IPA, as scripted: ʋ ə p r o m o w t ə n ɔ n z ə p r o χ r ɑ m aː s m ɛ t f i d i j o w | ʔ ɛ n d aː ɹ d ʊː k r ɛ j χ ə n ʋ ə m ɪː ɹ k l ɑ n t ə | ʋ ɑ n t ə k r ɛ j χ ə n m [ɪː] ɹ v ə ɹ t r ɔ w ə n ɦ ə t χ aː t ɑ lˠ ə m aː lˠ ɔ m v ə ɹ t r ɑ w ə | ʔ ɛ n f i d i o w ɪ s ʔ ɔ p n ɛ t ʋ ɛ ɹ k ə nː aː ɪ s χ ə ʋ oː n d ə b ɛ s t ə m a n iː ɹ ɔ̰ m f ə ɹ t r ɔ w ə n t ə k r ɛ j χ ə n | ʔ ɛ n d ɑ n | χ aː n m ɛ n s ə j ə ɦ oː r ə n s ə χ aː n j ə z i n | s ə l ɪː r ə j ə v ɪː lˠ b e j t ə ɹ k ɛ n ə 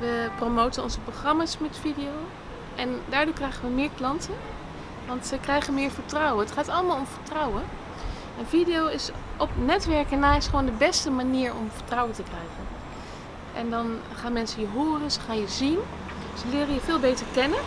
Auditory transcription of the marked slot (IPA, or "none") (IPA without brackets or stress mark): ɪː